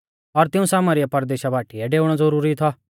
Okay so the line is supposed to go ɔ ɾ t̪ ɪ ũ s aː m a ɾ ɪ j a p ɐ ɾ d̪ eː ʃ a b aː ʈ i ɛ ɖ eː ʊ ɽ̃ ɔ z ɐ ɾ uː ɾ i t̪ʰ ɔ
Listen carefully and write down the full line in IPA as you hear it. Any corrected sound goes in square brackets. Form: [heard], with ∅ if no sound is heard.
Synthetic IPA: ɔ ɾ t̪ ɪ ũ s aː m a ɾ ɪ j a p ɐ ɾ d̪ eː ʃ a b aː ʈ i ɛ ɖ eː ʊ ɽ̃ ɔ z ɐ ɾ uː ɾ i t̪ʰ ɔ